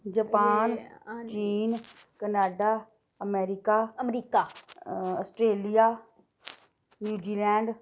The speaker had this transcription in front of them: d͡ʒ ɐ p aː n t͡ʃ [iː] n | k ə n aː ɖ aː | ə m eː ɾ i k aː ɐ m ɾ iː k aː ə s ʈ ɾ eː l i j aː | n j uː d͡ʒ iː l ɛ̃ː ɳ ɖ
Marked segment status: correct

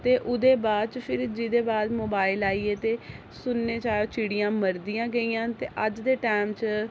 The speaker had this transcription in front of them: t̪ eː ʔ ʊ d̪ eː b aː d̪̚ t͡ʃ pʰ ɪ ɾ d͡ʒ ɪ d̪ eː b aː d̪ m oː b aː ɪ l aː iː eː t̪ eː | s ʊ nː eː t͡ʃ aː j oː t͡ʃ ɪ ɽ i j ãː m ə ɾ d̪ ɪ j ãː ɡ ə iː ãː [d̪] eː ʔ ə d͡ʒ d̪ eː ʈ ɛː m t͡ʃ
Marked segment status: incorrect: t̪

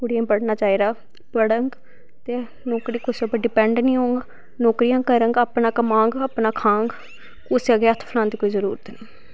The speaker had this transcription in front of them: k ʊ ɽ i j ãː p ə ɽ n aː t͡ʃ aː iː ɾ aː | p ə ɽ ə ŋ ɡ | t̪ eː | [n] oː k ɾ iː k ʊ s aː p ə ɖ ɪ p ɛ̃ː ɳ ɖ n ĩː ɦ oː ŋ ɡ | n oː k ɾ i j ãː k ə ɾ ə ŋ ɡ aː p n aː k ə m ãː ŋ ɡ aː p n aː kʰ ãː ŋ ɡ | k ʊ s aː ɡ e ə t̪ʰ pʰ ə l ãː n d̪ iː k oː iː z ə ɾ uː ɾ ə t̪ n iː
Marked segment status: correct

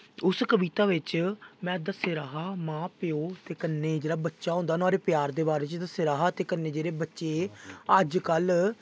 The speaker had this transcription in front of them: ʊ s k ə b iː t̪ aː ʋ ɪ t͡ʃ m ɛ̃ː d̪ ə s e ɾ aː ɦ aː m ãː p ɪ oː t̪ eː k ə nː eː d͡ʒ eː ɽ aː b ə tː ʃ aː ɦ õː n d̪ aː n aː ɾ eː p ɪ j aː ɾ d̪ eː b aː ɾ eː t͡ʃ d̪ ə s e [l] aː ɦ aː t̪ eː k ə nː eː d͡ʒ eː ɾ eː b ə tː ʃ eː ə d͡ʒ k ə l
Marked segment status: incorrect: ɾ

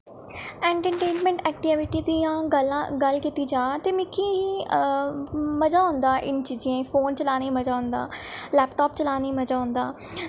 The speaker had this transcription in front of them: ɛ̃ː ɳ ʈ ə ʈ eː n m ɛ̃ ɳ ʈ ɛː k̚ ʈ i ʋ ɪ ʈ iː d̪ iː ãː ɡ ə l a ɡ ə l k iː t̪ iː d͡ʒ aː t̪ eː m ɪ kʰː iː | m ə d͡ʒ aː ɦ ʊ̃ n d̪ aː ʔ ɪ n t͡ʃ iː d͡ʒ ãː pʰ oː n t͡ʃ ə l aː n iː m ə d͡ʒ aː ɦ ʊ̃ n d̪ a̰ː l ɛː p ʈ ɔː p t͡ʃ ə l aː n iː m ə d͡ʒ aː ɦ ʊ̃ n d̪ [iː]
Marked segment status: incorrect: aː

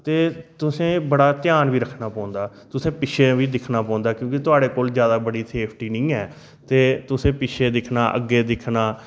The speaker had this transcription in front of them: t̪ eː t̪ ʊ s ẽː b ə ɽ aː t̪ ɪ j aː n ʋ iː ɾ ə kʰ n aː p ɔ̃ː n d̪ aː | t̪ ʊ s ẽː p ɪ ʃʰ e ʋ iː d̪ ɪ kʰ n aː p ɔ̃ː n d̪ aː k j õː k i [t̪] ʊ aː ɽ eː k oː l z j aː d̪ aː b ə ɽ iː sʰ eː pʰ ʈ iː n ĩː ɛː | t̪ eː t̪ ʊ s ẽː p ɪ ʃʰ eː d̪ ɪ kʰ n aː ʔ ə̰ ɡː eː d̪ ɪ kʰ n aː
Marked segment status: correct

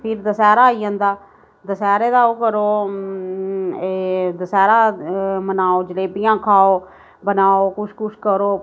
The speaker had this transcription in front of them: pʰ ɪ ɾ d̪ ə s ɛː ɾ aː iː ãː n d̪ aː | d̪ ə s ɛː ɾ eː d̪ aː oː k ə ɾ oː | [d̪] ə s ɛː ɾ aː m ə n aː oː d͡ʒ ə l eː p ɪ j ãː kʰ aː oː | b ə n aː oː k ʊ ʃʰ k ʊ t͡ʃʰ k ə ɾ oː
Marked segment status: correct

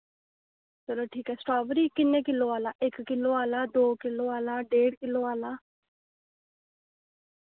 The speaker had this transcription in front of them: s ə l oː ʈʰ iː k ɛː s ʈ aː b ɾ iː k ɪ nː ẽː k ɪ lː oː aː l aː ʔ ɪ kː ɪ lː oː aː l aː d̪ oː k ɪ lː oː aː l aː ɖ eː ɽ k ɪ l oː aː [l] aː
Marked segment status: correct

